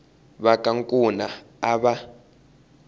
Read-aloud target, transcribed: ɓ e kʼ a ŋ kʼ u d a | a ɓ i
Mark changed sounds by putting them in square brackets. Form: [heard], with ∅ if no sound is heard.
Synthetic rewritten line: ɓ [a] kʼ a ŋ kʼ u [n] a | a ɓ [a]